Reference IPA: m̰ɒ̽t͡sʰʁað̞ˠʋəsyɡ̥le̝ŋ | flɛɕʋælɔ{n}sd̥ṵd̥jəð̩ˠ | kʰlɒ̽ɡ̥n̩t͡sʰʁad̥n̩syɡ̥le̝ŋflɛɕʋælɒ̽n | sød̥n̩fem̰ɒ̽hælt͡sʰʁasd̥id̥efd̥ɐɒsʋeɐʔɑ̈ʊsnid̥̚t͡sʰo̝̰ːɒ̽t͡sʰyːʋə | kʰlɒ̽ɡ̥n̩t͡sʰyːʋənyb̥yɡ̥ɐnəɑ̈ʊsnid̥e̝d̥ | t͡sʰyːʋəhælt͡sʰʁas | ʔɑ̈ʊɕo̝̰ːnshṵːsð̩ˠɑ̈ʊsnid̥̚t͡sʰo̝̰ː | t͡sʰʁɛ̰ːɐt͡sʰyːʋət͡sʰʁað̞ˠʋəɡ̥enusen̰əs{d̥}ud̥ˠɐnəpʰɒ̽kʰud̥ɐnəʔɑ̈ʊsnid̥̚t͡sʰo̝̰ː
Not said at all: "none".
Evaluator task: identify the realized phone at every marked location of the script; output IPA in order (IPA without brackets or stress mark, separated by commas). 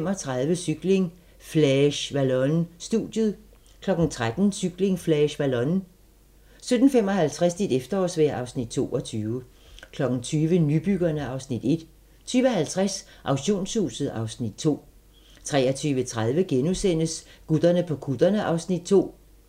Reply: n, ɡ̥